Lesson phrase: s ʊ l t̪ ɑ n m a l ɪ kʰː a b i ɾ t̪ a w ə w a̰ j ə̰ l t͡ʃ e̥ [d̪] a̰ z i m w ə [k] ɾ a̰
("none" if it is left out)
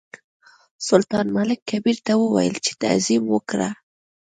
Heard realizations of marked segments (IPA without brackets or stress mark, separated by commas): t̪, k